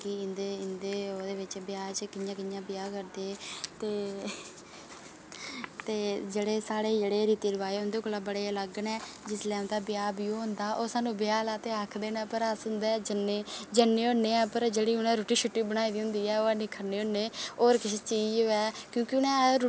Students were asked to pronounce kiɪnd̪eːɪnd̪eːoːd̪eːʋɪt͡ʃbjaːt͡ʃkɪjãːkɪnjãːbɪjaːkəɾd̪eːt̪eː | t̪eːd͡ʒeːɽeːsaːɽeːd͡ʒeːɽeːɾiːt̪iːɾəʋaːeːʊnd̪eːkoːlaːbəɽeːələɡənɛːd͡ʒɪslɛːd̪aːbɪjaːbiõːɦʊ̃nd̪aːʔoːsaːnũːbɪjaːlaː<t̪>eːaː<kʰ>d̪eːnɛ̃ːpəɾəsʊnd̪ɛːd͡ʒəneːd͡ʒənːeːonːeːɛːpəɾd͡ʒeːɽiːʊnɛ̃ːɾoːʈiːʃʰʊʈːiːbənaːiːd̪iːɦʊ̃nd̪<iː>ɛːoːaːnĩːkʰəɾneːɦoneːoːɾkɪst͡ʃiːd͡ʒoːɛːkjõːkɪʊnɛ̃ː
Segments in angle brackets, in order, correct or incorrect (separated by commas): correct, correct, correct